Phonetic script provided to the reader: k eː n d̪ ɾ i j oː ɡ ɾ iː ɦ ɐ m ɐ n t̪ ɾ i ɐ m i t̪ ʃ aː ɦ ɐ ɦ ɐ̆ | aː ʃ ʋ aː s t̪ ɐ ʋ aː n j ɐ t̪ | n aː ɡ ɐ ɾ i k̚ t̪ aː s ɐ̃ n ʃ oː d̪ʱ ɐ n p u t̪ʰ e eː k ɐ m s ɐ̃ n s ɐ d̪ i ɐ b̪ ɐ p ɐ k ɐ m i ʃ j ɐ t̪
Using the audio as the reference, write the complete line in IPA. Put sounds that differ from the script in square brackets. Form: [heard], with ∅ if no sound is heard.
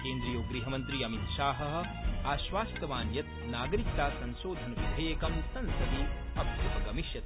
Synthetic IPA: k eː n d̪ ɾ i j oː ɡ ɾ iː ɦ ɐ m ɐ n t̪ ɾ i ɐ m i t̪ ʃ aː ɦ ɐ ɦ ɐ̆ | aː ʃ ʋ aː s t̪ ɐ ʋ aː n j ɐ t̪ | n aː ɡ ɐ ɾ i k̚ t̪ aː s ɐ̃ n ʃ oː d̪ʱ ɐ n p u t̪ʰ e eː k ɐ m s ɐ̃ n s ɐ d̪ i ɐ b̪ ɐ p ɐ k ɐ m i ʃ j ɐ t̪